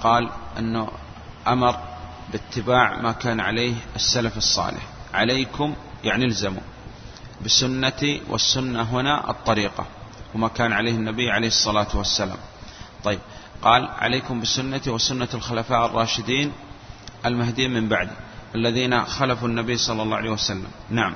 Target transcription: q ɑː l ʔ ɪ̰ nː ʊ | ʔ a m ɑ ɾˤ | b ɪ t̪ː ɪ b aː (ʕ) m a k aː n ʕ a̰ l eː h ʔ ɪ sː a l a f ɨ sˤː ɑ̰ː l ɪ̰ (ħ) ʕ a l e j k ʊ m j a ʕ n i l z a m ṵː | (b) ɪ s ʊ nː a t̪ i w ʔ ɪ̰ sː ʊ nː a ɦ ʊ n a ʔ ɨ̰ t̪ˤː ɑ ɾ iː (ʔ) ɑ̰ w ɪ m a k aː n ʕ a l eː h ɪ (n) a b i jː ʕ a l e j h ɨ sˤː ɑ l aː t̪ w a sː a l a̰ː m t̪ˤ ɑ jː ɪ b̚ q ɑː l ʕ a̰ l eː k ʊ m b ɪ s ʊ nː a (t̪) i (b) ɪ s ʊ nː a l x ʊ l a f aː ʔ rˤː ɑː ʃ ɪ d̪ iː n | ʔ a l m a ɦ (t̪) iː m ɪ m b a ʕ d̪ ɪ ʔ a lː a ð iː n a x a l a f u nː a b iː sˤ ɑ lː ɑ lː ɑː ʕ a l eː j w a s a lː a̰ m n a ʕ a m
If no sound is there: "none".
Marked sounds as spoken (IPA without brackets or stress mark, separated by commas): ʕ, ħ, b, q, nː, t̪, w, d̪